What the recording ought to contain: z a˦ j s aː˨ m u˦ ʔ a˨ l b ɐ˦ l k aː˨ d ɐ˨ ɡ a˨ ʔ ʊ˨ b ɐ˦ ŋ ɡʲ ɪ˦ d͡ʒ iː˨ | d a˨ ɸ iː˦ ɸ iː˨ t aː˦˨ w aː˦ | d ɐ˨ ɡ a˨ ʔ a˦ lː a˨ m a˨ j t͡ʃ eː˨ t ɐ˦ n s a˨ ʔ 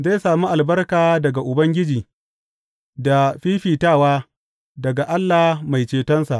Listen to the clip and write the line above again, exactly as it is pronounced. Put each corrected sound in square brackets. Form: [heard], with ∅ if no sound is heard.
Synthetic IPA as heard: z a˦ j s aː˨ m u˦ ʔ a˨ l b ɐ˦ [r] k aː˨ d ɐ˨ ɡ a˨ ʔ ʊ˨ b ɐ˦ ŋ ɡʲ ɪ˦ d͡ʒ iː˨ | d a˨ ɸ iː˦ ɸ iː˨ t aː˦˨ w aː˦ | d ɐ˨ ɡ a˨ ʔ a˦ lː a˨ m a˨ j t͡ʃ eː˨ t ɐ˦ n s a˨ ʔ